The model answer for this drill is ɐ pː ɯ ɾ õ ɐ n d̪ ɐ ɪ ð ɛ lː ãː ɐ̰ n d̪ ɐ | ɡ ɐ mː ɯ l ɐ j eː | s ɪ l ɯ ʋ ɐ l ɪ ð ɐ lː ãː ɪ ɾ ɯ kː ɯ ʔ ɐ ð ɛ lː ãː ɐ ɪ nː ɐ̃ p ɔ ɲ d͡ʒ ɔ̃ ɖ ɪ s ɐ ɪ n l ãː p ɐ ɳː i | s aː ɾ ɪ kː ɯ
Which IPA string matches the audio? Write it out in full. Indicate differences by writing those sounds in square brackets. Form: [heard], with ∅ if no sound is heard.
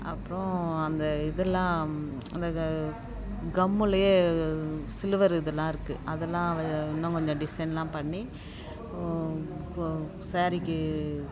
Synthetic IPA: ɐ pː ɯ ɾ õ ɐ n d̪ ɐ ɪ ð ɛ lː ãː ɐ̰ n d̪ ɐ | ɡ ɐ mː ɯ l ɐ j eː | s ɪ l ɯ ʋ ɐ [ɾ] ɪ ð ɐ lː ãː ɪ ɾ ɯ kː ɯ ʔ ɐ ð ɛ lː ãː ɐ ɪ nː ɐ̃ [k] ɔ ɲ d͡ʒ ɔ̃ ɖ ɪ s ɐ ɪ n l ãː p ɐ ɳː i | s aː ɾ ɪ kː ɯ